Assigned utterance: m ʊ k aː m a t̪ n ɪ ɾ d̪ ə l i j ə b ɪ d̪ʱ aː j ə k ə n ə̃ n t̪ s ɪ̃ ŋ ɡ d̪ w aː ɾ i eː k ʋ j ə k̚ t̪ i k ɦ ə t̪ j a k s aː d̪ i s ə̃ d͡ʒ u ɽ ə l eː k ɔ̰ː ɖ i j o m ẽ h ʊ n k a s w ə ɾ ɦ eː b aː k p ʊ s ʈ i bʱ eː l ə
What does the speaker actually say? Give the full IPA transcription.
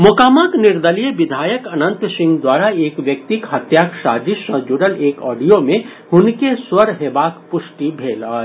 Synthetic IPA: m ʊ k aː m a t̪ n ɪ ɾ d̪ ə l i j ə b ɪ d̪ʱ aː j ə k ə n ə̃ n t̪ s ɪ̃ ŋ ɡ d̪ w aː ɾ a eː k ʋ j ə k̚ t̪ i k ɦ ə t̪ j a k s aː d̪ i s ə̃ d͡ʒ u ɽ ə l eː k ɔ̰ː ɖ i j o m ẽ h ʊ n k e s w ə ɾ ɦ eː b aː k p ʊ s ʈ i bʱ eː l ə